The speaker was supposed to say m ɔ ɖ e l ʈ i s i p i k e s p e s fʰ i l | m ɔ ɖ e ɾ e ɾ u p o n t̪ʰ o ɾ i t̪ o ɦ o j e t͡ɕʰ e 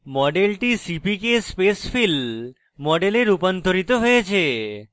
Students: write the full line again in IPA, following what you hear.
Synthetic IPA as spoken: m ɔ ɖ e l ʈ i s i p i k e s p e s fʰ i l | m ɔ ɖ e l e ɾ u p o n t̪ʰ o ɾ i t̪ o ɦ o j e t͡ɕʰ e